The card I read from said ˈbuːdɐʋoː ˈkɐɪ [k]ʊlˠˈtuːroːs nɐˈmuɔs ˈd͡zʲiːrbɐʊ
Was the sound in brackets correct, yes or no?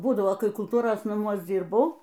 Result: yes